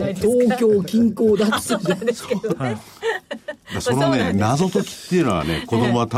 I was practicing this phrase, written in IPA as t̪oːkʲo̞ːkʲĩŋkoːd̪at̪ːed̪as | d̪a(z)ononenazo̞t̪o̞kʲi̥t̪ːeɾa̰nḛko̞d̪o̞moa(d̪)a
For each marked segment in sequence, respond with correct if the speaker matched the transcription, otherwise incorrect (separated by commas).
incorrect, incorrect